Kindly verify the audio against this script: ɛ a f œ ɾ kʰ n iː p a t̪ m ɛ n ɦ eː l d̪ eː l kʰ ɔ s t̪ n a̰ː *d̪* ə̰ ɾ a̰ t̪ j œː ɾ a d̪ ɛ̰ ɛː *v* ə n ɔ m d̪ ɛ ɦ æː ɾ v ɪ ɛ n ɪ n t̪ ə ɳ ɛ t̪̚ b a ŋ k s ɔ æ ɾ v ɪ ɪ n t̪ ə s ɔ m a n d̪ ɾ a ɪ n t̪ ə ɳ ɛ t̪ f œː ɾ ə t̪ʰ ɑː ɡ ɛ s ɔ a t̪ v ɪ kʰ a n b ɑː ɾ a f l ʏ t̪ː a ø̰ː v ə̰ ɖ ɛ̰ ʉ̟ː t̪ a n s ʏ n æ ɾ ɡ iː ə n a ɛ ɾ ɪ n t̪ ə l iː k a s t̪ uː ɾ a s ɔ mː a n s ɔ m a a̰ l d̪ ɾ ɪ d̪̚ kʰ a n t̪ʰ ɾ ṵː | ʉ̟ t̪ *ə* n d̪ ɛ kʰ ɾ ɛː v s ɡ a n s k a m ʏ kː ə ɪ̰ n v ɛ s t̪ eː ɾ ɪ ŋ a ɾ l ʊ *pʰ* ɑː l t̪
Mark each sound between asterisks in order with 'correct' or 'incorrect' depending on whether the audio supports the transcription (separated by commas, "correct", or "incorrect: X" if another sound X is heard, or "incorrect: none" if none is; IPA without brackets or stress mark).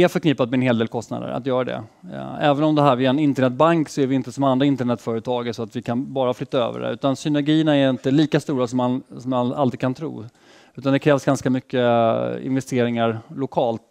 correct, correct, incorrect: a, incorrect: kʰ